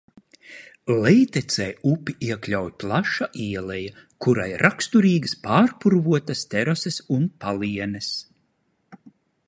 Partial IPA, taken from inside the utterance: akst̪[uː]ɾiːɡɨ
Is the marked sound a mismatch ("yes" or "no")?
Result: yes